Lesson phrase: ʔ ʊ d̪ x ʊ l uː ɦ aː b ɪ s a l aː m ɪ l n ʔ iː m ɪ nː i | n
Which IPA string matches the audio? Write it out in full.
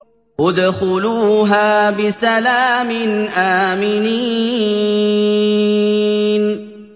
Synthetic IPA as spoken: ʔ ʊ d̪ x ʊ l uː ɦ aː b ɪ s a l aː m ɪ n ʔ aː m ɪ n i | n

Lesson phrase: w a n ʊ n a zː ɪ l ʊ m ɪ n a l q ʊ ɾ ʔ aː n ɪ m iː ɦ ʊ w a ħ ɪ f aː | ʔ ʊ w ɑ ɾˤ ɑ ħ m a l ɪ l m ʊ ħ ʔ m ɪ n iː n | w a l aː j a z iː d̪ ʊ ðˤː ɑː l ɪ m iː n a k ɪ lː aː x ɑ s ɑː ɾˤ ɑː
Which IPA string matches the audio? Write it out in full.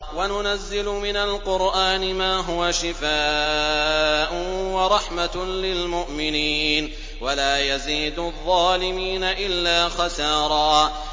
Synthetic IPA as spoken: w a n ʊ n a zː ɪ l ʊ m ɪ n a l q ʊ ɾ ʔ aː n ɪ m aː ɦ ʊ w a ʃ ɪ f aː | ʔ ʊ w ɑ ɾˤ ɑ ħ m a l ɪ l m ʊ ʔ m ɪ n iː n | w a l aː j a z iː d̪ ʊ ðˤː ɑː l ɪ m iː n a ʔ ɪ lː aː x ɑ s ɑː ɾˤ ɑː

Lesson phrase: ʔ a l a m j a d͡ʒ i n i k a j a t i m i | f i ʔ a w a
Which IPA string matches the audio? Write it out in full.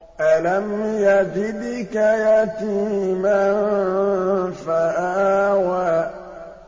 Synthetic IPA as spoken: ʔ a l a m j a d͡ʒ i d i k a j a t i m a | f a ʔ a w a

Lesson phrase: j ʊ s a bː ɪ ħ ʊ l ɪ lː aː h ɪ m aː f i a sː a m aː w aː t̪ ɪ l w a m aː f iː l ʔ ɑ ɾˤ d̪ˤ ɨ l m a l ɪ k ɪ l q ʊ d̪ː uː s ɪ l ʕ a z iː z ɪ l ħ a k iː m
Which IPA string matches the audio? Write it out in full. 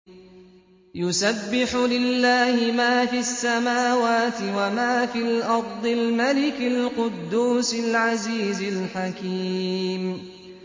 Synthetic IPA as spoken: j ʊ s a bː ɪ ħ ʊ l ɪ lː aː h ɪ m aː f i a sː a m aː w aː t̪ ɪ w a m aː f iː l ʔ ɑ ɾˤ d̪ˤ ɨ l m a l ɪ k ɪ l q ʊ d̪ː uː s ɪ l ʕ a z iː z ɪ l ħ a k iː m

